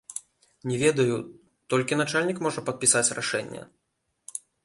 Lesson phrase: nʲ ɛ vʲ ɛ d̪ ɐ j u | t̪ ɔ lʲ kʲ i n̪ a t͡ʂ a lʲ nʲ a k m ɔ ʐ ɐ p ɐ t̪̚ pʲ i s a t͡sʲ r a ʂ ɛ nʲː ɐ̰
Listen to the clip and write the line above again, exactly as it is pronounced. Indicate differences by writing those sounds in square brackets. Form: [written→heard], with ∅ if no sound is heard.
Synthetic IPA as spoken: nʲ ɛ vʲ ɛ d̪ ɐ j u | t̪ ɔ lʲ kʲ i n̪ a t͡ʂ a lʲ nʲ [a→i] k m ɔ ʐ ɐ p ɐ t̪̚ pʲ i s a t͡sʲ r a ʂ ɛ nʲː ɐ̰